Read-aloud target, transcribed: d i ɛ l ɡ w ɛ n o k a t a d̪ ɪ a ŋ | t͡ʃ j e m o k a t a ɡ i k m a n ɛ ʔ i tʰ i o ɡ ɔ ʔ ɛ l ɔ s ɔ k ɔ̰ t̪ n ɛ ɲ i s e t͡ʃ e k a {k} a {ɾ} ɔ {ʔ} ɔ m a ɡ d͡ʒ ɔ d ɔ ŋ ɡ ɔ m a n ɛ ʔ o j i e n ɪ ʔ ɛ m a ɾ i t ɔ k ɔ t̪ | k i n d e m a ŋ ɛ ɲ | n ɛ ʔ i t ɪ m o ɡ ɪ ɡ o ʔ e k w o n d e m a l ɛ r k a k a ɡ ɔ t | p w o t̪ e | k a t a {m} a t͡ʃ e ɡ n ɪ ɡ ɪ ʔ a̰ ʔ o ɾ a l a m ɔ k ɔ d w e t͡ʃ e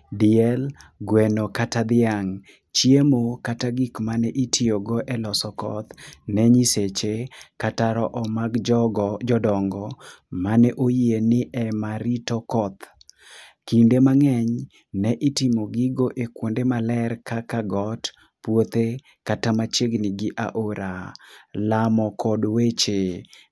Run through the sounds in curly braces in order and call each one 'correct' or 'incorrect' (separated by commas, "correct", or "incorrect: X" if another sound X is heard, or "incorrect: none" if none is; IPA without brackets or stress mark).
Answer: incorrect: t, correct, correct, correct